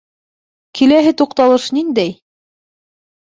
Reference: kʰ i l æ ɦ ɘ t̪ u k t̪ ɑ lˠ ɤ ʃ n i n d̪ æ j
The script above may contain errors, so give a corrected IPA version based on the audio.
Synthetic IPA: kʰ i l æ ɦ ɘ t̪ u q t̪ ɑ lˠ ɤ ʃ n i n d̪ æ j